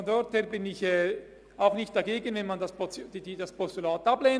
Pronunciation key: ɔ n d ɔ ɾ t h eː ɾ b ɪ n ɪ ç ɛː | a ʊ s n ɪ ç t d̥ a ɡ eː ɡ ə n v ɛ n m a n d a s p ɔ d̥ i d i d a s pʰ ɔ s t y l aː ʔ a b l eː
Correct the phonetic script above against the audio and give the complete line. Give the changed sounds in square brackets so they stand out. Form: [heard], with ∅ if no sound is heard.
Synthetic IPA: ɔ n d ɔ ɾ t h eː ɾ b ɪ n ɪ ç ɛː | a ʊ [x] n ɪ ç t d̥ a ɡ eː ɡ ə n v ɛ n m a n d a s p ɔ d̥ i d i d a s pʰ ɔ s t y l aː [t] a b l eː